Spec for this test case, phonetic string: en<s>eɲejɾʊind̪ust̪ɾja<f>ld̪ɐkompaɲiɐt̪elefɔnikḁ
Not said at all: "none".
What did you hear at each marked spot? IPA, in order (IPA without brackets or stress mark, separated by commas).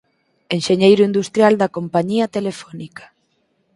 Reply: ʃ, none